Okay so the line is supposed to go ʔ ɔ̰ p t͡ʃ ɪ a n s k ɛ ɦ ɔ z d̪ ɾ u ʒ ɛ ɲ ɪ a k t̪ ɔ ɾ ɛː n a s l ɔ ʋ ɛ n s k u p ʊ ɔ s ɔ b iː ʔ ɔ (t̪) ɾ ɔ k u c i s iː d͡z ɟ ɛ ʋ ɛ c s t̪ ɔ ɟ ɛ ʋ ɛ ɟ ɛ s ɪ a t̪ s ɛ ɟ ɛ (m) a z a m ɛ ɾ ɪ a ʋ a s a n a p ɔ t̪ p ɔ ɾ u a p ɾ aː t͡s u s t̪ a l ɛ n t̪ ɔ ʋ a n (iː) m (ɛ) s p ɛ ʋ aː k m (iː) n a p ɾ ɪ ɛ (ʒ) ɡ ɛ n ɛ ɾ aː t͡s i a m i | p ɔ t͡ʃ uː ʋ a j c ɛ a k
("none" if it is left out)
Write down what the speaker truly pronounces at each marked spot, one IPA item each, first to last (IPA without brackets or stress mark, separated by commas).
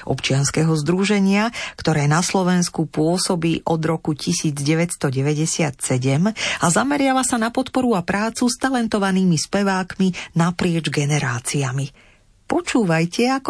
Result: d̪, m, iː, i, i, d͡ʒ